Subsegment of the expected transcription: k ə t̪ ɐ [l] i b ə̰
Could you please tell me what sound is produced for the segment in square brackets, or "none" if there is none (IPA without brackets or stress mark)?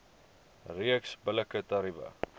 ɾ